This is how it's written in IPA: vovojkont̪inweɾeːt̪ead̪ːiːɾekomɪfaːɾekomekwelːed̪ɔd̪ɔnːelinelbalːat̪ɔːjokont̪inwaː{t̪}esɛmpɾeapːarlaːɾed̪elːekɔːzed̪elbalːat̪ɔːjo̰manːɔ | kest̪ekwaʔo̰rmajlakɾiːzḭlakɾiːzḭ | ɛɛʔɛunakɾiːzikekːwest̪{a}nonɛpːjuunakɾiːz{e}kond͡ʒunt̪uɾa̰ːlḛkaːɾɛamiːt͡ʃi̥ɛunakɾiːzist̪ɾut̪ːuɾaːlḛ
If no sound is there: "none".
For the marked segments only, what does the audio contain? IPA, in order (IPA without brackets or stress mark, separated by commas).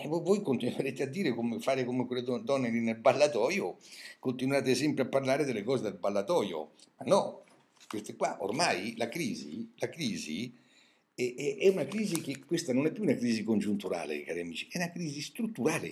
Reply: t̪, a, i